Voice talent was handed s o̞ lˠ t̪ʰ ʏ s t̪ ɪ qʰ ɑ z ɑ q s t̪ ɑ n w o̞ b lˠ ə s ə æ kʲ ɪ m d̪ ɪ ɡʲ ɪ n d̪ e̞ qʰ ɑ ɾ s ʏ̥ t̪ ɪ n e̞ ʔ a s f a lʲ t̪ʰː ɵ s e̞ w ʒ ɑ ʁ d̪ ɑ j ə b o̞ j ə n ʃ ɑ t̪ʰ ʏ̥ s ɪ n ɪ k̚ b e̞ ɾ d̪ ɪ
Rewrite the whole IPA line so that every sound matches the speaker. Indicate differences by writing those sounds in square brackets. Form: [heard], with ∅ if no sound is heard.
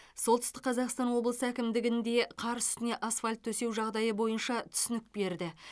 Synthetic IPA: s o̞ lˠ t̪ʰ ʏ s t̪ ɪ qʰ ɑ z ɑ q s t̪ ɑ n w o̞ b lˠ ə s ə æ kʲ ɪ m d̪ ɪ ɡʲ ɪ n d̪ e̞ qʰ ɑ ɾ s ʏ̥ t̪ ɪ n e̞ ʔ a s f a lʲ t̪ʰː ɵ s e̞ w ʒ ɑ ʁ d̪ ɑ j ə b o̞ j ə n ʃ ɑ t̪ʰ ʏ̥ s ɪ n ɪ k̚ b e̞ ɾ d̪ ɪ